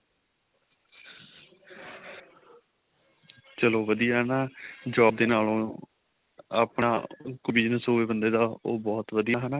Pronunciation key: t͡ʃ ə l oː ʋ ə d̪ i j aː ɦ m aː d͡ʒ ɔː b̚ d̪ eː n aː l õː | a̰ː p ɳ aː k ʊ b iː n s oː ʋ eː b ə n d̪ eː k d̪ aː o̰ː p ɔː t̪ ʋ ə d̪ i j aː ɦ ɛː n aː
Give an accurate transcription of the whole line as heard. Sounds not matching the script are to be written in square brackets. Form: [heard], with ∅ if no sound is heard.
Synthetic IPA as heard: t͡ʃ ə l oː ʋ ə d̪ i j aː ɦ [n] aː d͡ʒ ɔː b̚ d̪ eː n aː l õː | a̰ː p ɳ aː k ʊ b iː n s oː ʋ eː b ə n d̪ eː [∅] d̪ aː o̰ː [b] ɔː t̪ ʋ ə d̪ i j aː ɦ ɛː n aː